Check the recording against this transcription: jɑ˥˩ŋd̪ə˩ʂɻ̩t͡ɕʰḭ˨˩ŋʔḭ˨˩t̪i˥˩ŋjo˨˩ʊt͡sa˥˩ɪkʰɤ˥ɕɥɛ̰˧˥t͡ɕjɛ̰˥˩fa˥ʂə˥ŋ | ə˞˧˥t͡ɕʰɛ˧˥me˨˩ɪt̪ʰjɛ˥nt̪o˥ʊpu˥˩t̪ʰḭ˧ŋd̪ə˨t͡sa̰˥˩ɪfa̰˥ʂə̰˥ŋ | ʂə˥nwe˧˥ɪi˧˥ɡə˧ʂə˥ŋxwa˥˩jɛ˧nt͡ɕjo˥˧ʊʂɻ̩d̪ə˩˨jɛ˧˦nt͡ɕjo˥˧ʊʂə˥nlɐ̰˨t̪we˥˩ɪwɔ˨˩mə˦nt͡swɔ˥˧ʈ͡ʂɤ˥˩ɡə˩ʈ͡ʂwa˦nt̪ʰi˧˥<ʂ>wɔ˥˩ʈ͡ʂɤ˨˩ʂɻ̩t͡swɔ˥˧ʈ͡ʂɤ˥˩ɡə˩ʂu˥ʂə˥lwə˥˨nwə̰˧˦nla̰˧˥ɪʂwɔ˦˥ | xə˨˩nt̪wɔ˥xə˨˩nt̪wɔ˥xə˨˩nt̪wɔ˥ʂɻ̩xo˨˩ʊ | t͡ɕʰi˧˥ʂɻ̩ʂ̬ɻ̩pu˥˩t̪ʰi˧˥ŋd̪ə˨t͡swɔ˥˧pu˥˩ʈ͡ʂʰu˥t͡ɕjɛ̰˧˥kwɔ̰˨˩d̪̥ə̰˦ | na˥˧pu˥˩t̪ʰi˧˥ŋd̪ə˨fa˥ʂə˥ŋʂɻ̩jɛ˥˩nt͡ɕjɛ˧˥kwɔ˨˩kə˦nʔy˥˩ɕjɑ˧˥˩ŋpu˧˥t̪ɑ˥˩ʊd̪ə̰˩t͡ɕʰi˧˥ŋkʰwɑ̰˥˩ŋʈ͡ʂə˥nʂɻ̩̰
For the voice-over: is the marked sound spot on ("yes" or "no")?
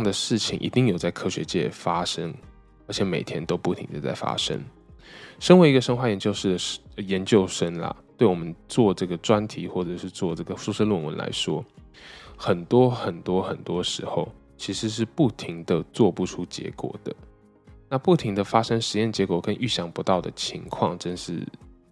no